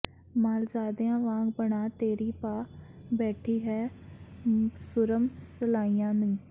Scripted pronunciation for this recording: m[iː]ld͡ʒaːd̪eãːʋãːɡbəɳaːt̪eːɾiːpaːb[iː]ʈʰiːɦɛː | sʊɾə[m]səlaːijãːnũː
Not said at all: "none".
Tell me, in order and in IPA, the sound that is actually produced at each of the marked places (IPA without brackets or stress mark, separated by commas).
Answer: aː, ɛː, m